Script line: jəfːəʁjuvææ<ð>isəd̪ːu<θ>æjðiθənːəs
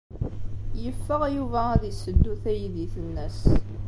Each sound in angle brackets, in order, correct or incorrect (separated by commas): correct, correct